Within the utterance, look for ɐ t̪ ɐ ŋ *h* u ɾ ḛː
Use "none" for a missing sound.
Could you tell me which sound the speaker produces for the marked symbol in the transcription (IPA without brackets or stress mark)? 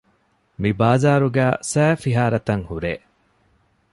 h